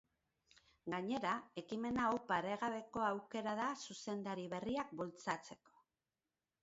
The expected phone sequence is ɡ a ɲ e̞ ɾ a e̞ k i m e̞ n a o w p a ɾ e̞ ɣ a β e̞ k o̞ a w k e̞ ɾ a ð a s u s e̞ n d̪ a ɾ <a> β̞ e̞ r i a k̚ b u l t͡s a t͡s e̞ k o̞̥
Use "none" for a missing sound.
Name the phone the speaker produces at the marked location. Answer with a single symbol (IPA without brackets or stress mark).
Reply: i